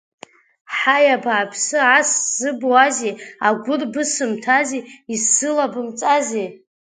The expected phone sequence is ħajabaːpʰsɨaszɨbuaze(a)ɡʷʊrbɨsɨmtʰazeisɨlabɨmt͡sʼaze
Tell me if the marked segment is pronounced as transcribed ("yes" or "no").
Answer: yes